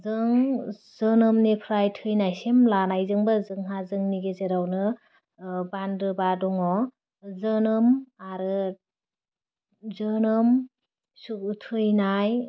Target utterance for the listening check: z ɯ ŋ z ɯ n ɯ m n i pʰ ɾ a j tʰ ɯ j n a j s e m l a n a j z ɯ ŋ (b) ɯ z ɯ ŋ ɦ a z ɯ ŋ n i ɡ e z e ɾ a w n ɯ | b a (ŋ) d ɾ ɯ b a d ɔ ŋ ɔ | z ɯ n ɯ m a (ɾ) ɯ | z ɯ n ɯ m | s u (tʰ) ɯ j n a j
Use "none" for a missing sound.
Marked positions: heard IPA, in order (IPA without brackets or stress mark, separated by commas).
b, n, ɾ, tʰ